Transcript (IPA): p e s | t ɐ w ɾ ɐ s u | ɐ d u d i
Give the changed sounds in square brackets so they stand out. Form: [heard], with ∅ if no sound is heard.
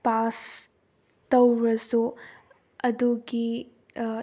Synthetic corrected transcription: p [a] s | t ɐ w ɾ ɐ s u | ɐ d u [ɡ] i